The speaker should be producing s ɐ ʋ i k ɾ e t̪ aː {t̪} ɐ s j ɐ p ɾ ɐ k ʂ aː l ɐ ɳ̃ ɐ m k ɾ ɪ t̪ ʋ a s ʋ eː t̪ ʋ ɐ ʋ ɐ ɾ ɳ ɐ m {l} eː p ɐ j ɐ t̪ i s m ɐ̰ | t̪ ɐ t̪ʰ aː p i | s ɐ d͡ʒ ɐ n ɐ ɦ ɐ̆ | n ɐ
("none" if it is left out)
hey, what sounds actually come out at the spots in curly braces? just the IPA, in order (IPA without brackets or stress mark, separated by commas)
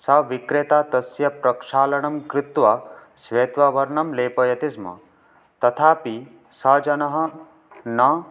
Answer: t̪, l